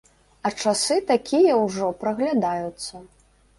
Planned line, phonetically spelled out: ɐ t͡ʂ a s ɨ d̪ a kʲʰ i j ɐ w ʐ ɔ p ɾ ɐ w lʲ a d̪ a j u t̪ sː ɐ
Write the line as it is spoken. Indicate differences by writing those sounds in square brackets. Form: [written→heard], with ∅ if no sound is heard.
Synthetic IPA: ɐ t͡ʂ a s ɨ [d̪→t̪] a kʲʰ i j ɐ w ʐ ɔ p ɾ ɐ [w→ɣ] lʲ a d̪ a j u t̪ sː ɐ